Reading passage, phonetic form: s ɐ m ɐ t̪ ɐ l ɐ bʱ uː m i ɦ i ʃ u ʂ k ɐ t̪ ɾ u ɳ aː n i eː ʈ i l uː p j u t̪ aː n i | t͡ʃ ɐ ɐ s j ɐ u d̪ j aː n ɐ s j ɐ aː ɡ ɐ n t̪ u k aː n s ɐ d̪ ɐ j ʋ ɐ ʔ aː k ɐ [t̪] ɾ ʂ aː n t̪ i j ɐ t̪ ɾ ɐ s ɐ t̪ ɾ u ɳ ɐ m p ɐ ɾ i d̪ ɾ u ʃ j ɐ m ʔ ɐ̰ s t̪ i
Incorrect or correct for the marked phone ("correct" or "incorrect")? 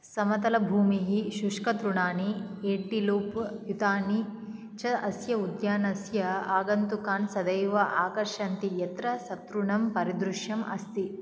incorrect